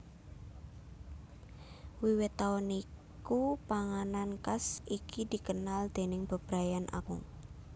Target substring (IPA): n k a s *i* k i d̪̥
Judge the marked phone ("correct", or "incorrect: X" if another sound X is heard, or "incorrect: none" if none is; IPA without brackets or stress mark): correct